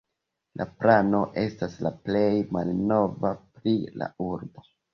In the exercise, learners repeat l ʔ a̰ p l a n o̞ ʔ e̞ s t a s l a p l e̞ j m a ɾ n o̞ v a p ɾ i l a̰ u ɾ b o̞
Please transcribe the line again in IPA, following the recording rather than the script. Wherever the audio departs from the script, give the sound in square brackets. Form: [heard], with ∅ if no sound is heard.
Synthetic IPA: l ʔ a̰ p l a n o̞ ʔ e̞ s t a s l a p l e̞ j m a [l] n o̞ v a p ɾ i l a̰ u ɾ b o̞